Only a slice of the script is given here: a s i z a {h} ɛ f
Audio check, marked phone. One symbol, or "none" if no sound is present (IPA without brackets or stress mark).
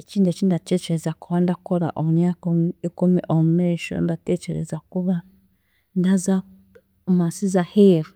h